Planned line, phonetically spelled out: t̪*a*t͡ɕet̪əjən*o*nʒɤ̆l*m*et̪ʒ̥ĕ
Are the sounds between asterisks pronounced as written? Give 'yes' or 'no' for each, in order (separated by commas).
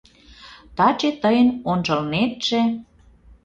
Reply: no, yes, no